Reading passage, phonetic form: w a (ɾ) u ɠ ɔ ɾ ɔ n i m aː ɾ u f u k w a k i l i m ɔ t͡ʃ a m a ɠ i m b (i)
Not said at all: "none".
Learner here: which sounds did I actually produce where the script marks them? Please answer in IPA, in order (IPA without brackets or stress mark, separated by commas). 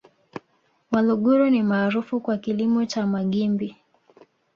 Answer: l, i